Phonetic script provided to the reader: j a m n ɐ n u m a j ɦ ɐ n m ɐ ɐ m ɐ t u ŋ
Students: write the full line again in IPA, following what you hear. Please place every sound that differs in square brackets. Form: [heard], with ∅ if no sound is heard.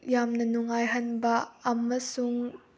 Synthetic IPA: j a m n ɐ n u [ŋ] a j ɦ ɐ n [b] ɐ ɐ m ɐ [s] u ŋ